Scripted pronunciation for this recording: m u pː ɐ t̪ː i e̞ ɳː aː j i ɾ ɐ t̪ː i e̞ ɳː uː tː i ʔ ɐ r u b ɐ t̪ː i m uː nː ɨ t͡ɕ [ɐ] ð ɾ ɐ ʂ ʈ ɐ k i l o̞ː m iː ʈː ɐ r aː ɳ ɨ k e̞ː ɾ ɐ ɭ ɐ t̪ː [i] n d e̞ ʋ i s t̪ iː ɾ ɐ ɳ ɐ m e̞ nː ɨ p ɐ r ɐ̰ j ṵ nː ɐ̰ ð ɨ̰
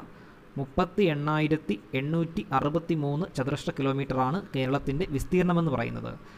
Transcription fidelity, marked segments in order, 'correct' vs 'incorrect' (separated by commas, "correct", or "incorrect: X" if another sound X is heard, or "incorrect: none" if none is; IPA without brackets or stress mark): correct, correct